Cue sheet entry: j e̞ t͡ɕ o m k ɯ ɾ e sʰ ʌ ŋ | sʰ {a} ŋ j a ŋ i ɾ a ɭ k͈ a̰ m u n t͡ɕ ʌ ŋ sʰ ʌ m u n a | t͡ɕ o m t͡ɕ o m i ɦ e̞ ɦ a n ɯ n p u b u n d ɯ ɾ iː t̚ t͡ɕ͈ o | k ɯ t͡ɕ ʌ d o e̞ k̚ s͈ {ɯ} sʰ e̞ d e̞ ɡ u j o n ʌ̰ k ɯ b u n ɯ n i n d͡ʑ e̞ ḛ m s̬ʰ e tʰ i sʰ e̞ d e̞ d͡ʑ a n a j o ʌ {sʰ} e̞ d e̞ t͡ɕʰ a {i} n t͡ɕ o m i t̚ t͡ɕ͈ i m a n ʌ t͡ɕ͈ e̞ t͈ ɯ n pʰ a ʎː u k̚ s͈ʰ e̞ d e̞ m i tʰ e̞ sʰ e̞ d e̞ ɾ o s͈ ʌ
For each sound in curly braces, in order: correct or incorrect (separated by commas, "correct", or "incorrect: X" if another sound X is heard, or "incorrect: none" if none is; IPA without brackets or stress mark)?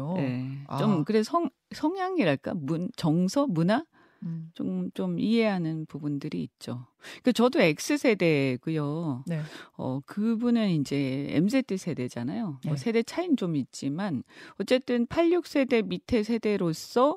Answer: incorrect: ʌ, correct, correct, correct